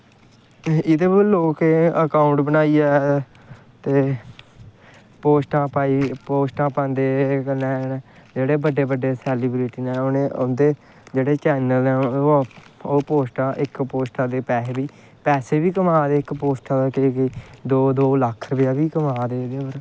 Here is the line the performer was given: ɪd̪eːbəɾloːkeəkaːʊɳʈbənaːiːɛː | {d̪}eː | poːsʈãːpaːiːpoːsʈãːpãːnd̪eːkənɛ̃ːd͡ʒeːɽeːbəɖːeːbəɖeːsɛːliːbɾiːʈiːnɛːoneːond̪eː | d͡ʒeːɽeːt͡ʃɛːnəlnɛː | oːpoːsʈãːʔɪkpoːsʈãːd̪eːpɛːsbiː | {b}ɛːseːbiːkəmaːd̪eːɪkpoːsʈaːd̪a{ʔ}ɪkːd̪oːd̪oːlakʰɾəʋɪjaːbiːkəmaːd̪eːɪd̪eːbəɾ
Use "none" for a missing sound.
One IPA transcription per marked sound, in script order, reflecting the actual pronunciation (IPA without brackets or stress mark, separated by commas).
t̪, p, k